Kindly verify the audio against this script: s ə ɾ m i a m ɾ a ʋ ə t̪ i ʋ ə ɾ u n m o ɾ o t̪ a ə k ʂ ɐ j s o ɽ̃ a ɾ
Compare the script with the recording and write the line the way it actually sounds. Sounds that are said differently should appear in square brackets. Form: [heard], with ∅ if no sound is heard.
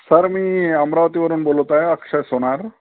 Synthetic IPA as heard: s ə ɾ m i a m ɾ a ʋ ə t̪ i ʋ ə ɾ u n [b] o [l] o t̪ a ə k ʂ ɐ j s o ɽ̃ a ɾ